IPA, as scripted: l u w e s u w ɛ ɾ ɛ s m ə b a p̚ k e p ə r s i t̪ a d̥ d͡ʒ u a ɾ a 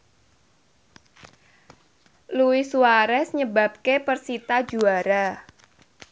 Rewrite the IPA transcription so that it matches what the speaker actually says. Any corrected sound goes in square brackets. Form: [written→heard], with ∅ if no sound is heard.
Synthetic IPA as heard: l u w [e→i] s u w [ɛ→a] ɾ ɛ s [m→ɲ] ə b a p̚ k e p ə r s i t̪ a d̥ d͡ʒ u a ɾ a